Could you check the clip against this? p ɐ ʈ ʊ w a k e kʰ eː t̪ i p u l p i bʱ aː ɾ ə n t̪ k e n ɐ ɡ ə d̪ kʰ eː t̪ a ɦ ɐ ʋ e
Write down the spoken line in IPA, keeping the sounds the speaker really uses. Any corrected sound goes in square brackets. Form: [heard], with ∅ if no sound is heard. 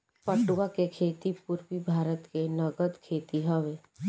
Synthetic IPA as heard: p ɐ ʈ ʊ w a k e kʰ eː t̪ i p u [ɾ] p i bʱ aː ɾ ə [∅] t̪ k e n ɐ ɡ ə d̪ kʰ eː t̪ [i] ɦ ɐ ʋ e